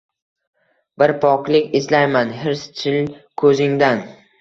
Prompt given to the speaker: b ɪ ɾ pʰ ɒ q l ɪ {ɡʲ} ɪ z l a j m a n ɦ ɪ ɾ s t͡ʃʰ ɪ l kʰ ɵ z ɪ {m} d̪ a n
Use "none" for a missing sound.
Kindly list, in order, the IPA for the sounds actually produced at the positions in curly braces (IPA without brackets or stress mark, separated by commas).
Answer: kʲ, ŋ